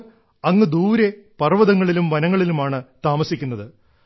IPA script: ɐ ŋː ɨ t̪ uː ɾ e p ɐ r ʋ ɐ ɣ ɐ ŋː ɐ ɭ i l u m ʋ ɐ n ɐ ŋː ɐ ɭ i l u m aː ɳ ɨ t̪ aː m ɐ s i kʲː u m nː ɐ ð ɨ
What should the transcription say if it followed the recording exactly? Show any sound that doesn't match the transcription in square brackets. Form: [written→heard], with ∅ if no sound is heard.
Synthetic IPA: ɐ ŋː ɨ [t̪→d̪] uː ɾ e p ɐ r ʋ ɐ [ɣ→ð] ɐ ŋː ɐ ɭ i l u m ʋ ɐ n ɐ ŋː ɐ ɭ i l u m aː ɳ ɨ t̪ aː m ɐ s i kʲː u [m→∅] nː ɐ ð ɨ

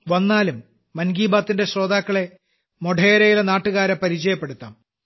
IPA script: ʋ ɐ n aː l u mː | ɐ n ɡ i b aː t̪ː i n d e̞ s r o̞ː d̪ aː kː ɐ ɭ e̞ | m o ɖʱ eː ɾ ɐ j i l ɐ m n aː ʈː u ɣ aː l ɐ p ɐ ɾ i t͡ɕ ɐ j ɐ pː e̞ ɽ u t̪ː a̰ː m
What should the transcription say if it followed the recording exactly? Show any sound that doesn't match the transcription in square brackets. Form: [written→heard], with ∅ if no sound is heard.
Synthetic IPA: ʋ ɐ [n→nː] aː l u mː | ɐ n ɡ [i→iː] b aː t̪ː i n d e̞ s r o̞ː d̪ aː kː ɐ ɭ e̞ | m o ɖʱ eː ɾ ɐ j i l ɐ [m→∅] n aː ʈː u ɣ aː [l→ɾ] ɐ p ɐ ɾ i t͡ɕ ɐ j ɐ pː e̞ ɽ u t̪ː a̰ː m

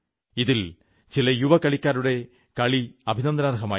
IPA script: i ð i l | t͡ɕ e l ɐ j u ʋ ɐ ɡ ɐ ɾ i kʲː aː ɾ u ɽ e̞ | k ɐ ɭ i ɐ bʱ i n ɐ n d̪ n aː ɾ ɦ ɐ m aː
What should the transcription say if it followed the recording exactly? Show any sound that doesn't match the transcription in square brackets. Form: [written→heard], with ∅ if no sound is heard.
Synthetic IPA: i ð i l | t͡ɕ [e→i] l ɐ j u ʋ ɐ [ɡ→k] ɐ [ɾ→ɭ] i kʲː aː ɾ u ɽ e̞ | k ɐ ɭ i ɐ bʱ i n ɐ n d̪ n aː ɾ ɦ ɐ m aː

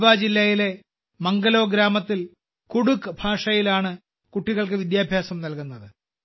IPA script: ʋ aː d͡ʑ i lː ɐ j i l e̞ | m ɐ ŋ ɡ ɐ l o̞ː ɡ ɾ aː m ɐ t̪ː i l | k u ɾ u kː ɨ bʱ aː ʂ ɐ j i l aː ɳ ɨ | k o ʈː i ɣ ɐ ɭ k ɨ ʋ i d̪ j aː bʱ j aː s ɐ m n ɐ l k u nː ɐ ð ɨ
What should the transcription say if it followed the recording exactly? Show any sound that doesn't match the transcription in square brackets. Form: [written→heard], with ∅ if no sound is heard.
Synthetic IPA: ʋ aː d͡ʑ i lː ɐ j i l e̞ | m ɐ ŋ ɡ ɐ l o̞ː ɡ ɾ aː m ɐ t̪ː i l | k u [ɾ→ɽ] u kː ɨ bʱ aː ʂ ɐ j i l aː ɳ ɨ | k [o→u] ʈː i ɣ ɐ ɭ k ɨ ʋ i d̪ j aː bʱ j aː s ɐ m n ɐ l k u nː ɐ ð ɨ

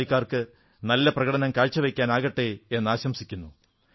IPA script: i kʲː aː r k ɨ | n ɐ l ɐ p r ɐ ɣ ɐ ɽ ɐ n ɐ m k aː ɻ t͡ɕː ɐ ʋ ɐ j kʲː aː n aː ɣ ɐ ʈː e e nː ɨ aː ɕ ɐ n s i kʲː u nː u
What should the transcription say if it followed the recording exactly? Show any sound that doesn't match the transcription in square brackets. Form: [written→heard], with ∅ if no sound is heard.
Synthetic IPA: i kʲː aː r k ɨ | n ɐ [l→lː] ɐ p r ɐ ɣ ɐ ɽ ɐ n ɐ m k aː ɻ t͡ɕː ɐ ʋ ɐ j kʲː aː n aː ɣ ɐ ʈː e e nː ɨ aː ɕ ɐ [n→m] s i kʲː u nː u

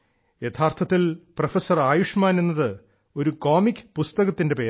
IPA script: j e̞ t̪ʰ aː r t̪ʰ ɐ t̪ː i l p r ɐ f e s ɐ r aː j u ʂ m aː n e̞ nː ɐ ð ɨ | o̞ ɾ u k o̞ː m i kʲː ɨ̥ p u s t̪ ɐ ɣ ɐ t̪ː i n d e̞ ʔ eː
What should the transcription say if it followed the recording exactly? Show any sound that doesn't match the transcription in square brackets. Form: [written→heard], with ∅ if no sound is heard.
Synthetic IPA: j e̞ t̪ʰ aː r t̪ʰ ɐ t̪ː i l p r ɐ f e s ɐ r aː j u ʂ m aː n e̞ nː ɐ ð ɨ | o̞ ɾ u k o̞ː m i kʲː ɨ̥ p u s t̪ ɐ ɣ ɐ t̪ː i n d e̞ [ʔ→p] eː

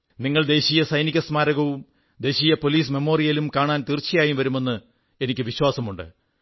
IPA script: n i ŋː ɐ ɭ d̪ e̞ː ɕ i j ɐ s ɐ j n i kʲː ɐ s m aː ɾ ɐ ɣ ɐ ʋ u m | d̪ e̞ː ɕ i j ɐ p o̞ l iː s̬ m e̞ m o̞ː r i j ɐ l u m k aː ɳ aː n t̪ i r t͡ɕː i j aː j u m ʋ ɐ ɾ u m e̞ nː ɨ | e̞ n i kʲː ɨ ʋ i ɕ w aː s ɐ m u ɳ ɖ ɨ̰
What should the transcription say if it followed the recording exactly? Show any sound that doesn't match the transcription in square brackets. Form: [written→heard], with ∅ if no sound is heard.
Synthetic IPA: n i ŋː ɐ ɭ d̪ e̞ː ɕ i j ɐ s ɐ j n i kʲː ɐ s m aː ɾ ɐ ɣ ɐ ʋ u m | d̪ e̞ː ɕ i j ɐ p o̞ l iː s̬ m e̞ m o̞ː r i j ɐ l u m k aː ɳ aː n t̪ i r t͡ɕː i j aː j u m ʋ ɐ ɾ u m e̞ nː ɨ | e̞ n i kʲː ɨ ʋ i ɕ w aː s ɐ m u ɳ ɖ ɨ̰

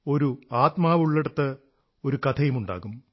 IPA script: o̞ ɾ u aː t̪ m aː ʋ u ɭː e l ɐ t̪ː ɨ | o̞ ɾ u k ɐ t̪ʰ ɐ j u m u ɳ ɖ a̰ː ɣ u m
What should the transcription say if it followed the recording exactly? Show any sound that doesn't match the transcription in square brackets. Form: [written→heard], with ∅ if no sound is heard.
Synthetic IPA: o̞ ɾ u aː t̪ m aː ʋ u ɭː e [l→ɽ] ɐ t̪ː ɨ | o̞ ɾ u k ɐ t̪ʰ ɐ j u m u ɳ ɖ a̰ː ɣ u m

